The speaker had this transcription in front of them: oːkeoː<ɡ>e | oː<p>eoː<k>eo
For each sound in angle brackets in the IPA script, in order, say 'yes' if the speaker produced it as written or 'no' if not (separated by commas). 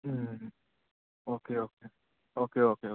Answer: no, no, yes